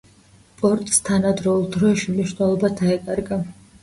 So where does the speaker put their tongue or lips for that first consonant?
lips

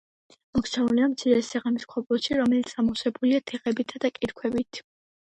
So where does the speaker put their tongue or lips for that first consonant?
lips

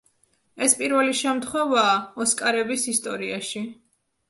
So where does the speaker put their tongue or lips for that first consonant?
tongue tip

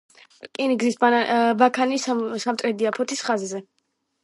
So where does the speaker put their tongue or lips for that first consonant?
velum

